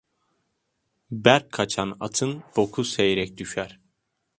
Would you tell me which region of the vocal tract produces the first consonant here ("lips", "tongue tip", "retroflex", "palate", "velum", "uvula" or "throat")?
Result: lips